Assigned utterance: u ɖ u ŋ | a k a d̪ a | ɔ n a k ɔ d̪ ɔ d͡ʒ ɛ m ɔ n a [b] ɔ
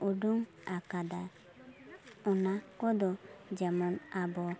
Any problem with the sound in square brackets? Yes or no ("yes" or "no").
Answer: no